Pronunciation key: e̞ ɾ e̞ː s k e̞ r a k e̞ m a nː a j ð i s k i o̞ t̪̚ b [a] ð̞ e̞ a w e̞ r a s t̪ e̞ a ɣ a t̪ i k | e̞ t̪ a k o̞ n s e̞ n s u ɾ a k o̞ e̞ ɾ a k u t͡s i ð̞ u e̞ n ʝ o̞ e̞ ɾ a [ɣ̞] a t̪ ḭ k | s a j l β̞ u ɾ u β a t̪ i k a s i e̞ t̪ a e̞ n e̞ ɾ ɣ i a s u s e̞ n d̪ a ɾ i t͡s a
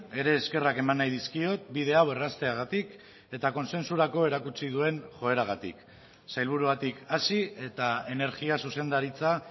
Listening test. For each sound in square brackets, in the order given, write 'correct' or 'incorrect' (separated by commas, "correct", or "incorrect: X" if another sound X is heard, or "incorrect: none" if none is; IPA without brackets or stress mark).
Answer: incorrect: i, correct